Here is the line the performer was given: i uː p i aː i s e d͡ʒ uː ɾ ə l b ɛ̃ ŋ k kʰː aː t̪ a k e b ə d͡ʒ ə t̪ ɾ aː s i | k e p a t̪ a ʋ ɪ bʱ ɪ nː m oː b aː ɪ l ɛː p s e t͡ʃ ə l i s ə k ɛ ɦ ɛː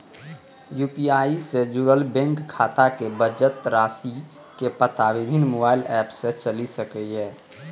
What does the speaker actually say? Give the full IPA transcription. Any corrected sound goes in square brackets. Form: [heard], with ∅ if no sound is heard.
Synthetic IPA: [j] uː p i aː i s e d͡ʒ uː ɾ ə l b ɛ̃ ŋ k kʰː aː t̪ a k e b ə d͡ʒ ə t̪ ɾ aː s i | k e p [ə] t̪ a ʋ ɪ bʱ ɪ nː m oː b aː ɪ l ɛː p s e t͡ʃ ə l i s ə k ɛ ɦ ɛː